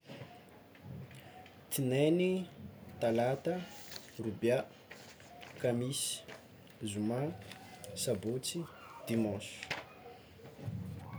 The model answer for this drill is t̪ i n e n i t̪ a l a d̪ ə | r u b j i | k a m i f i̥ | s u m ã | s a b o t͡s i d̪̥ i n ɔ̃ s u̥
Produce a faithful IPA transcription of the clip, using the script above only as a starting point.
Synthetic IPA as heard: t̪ i n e n i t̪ a l a t̪ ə | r u b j a | k a m i s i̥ | z u m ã | s a b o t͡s i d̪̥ i m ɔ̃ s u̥